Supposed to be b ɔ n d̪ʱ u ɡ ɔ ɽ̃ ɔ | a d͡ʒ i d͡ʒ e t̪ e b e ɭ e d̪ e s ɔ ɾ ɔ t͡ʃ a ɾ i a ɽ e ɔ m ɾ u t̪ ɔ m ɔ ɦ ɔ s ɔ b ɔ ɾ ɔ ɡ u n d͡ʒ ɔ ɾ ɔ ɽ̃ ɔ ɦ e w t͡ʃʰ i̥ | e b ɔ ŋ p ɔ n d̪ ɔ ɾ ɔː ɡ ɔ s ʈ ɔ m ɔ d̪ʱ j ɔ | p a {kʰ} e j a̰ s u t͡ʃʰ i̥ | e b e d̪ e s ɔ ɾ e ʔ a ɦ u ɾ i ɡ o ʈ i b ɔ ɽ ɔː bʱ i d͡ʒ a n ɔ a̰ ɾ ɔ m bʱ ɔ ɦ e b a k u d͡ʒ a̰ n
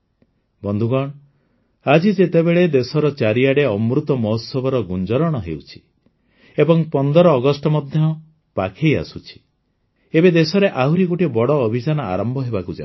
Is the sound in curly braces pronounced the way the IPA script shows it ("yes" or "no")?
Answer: yes